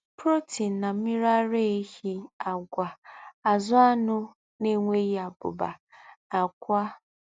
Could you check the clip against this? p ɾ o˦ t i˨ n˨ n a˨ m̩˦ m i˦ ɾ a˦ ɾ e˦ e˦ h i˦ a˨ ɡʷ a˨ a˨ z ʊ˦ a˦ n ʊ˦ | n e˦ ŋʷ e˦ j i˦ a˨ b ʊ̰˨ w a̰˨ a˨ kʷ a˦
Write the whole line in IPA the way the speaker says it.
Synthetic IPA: p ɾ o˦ t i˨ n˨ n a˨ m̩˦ m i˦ ɾ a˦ ɾ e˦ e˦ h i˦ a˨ ɡʷ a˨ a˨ z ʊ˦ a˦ n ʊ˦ | n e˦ ŋʷ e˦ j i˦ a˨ b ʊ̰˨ b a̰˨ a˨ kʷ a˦